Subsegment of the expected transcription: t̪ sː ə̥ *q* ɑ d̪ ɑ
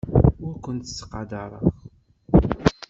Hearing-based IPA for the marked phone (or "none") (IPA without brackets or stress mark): q